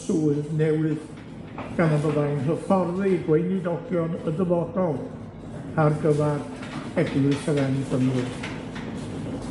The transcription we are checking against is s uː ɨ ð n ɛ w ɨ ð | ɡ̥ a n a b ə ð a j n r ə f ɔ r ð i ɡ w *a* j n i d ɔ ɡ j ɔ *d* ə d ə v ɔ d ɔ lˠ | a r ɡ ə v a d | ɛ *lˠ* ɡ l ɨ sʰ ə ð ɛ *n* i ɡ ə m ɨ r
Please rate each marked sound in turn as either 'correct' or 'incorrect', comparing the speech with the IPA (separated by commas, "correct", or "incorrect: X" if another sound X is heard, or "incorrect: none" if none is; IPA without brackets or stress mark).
incorrect: e, incorrect: n, incorrect: none, correct